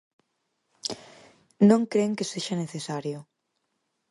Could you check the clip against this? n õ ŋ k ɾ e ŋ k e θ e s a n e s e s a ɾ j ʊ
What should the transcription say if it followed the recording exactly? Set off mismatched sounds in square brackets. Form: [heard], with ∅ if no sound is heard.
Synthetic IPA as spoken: n õ ŋ k ɾ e ŋ k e [s] e [ʃ] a n e [θ] e s a ɾ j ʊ